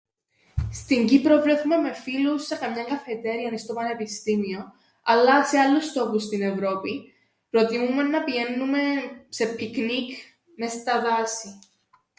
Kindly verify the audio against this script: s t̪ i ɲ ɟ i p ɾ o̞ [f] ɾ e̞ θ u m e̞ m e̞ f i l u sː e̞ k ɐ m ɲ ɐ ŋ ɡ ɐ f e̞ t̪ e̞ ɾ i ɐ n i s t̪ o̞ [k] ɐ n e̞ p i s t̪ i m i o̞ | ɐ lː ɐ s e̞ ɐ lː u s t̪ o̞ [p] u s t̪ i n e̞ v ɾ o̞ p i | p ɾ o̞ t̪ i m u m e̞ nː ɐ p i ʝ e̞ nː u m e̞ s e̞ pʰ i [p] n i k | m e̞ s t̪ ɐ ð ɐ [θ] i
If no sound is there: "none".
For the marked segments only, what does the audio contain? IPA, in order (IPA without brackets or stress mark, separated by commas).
v, p, p, k, s